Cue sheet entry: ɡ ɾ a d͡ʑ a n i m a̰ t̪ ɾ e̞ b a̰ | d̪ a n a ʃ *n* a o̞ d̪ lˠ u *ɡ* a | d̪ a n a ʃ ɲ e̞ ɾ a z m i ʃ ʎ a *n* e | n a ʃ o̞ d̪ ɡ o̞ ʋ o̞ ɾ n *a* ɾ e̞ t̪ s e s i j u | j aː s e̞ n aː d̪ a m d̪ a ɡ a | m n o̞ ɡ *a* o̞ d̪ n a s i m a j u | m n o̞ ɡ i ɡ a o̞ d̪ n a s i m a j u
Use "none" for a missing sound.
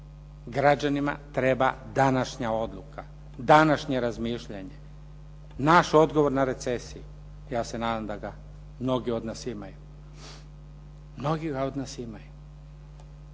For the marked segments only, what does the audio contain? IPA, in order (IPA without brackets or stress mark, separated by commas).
ɲ, k, ɲ, a, i